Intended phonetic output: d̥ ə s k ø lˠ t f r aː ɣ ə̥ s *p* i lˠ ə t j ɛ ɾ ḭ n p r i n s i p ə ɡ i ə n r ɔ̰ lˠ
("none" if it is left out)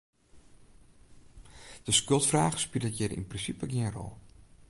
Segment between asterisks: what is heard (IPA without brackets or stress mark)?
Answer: p